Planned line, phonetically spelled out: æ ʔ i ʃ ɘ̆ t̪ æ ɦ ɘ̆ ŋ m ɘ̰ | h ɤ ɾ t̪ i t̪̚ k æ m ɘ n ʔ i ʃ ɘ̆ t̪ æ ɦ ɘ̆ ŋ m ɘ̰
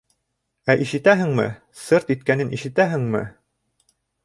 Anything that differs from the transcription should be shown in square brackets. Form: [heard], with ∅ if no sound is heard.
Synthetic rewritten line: æ ʔ i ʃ ɘ̆ t̪ æ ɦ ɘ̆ ŋ m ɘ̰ | [s] ɤ ɾ t̪ i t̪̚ k æ [n] ɘ n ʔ i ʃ ɘ̆ t̪ æ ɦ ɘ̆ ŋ m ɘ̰